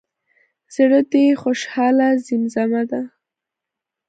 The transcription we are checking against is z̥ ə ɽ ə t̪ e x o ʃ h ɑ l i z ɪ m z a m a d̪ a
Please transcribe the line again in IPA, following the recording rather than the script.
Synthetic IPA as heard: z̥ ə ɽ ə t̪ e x o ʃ h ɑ l a z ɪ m z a m a d̪ a